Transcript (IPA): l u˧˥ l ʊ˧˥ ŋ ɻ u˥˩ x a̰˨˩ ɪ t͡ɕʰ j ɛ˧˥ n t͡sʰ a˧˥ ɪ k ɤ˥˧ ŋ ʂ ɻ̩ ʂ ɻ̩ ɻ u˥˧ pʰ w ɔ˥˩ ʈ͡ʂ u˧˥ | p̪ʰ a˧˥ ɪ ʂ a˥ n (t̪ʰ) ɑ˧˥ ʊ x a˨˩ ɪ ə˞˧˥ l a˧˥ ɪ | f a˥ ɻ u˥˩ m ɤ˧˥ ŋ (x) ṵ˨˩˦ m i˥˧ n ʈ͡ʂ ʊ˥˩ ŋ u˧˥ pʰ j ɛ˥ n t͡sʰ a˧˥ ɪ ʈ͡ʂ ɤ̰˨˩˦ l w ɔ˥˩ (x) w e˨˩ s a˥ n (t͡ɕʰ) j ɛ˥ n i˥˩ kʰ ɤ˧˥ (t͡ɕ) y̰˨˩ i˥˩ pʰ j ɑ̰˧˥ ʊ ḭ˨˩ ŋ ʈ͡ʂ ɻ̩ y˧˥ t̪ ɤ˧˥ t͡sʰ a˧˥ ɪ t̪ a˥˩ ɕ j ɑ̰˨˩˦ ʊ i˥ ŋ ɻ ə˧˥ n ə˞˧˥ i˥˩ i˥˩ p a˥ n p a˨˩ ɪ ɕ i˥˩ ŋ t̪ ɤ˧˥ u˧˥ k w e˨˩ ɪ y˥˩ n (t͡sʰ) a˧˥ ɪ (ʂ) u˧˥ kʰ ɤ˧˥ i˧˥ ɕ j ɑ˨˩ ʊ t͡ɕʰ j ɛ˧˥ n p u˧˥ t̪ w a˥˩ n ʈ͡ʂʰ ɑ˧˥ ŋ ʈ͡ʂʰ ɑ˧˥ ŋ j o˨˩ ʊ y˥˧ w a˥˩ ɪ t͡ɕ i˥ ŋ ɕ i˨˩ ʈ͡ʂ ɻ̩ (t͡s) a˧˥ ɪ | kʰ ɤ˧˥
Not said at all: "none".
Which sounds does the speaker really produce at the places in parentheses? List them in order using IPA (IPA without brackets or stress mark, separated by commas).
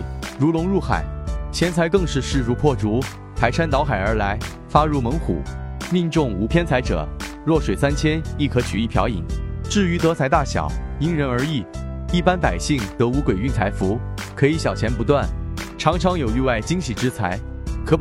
t̪, x, ʂ, t͡ɕʰ, t͡ɕʰ, t͡sʰ, f, t͡sʰ